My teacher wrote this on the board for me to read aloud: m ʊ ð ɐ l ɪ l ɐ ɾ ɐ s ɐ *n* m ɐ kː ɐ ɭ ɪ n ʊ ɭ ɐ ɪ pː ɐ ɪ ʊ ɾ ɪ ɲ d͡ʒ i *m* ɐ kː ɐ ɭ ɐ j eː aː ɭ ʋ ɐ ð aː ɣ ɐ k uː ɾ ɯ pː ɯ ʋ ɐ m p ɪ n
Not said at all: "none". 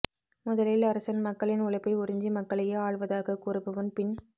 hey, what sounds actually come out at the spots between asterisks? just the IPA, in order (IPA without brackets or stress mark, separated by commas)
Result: n, m